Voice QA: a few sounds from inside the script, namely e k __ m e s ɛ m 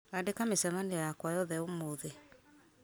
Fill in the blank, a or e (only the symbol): a